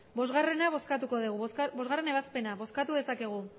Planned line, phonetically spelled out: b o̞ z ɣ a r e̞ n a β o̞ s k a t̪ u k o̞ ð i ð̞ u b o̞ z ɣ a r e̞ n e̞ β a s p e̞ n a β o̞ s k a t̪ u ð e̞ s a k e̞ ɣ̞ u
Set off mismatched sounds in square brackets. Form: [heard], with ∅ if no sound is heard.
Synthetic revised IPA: b o̞ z ɣ a r e̞ n a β o̞ s k a t̪ u k o̞ ð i [ɣ̞] u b o̞ z ɣ a r e̞ n e̞ β a s p e̞ n a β o̞ s k a t̪ u ð e̞ s a k e̞ ɣ̞ u